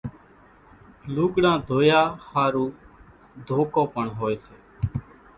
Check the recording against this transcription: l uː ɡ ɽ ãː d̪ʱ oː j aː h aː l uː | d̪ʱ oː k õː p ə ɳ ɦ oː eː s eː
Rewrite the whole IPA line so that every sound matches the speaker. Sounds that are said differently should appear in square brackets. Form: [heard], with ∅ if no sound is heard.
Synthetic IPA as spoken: l uː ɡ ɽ ãː d̪ʱ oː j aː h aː [ɾ] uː | d̪ʱ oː k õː p ə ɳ ɦ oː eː s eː